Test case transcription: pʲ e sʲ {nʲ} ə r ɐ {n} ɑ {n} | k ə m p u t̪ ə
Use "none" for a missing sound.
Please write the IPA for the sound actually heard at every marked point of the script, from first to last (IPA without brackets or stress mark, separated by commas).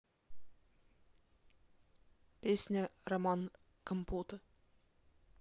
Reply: nʲ, m, n